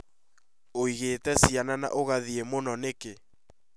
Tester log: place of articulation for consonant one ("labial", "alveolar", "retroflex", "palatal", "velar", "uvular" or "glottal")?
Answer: velar